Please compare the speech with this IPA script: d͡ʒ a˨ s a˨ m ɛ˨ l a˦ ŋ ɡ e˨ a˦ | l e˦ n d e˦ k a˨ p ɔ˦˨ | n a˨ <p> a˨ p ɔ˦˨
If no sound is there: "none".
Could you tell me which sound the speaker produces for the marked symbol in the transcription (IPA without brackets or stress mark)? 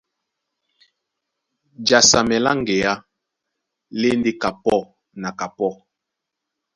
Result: k